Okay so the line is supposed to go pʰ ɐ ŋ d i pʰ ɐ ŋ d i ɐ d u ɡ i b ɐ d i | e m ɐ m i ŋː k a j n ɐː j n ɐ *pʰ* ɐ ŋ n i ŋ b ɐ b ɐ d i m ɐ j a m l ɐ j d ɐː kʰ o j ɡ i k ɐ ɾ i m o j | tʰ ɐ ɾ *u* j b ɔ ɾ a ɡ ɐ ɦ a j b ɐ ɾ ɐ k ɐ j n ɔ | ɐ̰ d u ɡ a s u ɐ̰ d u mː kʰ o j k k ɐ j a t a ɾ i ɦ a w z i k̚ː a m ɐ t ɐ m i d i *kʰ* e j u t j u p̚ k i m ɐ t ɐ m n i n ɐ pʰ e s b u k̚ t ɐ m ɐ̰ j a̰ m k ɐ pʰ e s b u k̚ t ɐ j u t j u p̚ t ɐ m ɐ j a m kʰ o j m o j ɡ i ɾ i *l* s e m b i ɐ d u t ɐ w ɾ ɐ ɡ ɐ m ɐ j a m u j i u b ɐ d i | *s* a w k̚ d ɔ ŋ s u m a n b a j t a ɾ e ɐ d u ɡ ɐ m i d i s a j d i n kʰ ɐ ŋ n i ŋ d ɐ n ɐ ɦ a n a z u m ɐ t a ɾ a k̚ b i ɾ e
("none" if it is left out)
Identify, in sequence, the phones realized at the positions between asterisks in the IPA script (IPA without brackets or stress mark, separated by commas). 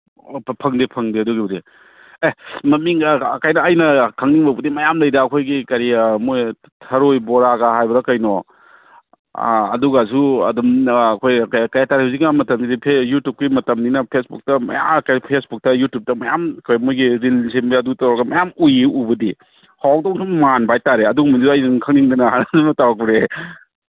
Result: kʰ, o, pʰ, l, h